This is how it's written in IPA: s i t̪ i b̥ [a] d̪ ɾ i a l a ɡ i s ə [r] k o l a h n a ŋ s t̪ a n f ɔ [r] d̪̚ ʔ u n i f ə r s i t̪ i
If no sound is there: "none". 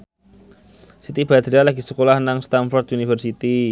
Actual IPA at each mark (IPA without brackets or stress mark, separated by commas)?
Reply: a, none, r